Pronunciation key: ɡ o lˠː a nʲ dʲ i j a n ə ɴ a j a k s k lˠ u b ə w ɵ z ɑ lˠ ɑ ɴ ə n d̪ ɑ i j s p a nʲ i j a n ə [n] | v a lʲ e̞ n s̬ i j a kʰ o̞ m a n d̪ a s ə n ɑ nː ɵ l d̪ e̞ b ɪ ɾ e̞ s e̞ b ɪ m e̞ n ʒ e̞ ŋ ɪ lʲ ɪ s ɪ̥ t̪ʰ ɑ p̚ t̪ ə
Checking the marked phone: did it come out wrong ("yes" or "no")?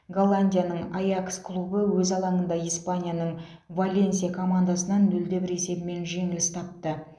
yes